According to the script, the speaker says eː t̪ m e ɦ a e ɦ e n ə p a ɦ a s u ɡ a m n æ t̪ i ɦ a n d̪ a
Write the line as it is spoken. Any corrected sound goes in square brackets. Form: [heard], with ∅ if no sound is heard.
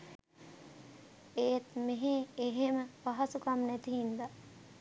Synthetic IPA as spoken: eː t̪ m e ɦ [e] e ɦ e [m] ə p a ɦ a s u [k] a m n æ t̪ i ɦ [i] n d̪ a